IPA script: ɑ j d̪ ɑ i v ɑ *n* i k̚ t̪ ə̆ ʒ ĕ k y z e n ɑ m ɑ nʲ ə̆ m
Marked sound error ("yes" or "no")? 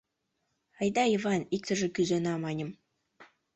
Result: no